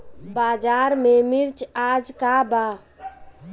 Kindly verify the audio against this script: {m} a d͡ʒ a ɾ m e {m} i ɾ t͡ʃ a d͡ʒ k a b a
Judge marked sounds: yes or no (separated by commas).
no, yes